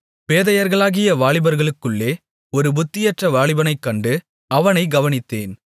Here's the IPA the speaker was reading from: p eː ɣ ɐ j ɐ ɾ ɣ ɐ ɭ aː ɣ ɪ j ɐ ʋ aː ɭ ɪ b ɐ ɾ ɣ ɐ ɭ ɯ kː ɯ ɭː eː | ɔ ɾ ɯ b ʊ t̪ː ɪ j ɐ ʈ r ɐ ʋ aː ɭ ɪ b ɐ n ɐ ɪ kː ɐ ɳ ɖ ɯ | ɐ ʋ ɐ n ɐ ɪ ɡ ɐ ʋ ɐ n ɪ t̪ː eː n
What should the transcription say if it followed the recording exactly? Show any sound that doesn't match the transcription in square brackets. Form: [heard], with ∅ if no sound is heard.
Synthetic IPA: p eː [ð] ɐ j ɐ ɾ ɣ ɐ ɭ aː ɣ ɪ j ɐ ʋ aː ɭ ɪ b ɐ ɾ ɣ ɐ ɭ ɯ kː ɯ ɭː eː | ɔ ɾ ɯ b ʊ t̪ː ɪ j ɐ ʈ r ɐ ʋ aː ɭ ɪ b ɐ n ɐ ɪ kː ɐ ɳ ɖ ɯ | ɐ ʋ ɐ n ɐ ɪ ɡ ɐ ʋ ɐ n ɪ t̪ː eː n